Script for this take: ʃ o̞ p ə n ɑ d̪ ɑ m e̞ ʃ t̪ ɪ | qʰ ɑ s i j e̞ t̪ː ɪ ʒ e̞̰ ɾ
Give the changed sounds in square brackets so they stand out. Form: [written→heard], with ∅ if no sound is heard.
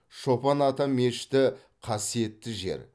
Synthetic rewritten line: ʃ o̞ p [ə→ɑ] n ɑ [d̪→t̪] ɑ m e̞ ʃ t̪ ɪ | qʰ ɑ s i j e̞ t̪ː ɪ ʒ e̞̰ ɾ